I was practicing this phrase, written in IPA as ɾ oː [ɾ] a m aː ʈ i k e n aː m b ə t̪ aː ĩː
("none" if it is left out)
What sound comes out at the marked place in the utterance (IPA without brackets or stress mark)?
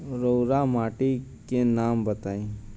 ɾ